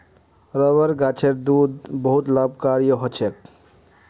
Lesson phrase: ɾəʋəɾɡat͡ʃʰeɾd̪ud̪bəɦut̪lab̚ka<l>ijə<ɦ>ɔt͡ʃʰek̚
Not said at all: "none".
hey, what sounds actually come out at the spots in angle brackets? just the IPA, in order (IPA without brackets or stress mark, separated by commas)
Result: ɾ, ɦ